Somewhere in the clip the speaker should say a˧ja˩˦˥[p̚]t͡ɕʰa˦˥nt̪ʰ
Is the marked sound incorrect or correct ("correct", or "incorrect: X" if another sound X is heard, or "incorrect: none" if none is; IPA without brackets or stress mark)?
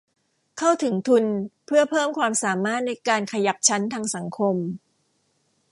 correct